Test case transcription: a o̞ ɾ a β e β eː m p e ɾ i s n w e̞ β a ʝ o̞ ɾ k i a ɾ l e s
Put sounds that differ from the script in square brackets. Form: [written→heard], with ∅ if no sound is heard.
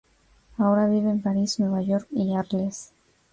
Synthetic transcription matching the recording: a o̞ ɾ a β [e→i] β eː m p [e→a] ɾ i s n w e̞ β a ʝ o̞ ɾ k i a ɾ l e s